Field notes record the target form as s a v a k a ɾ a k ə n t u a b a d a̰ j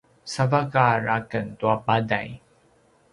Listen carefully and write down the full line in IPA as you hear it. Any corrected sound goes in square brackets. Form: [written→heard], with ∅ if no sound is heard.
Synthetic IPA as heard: s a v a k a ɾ a k ə n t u a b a d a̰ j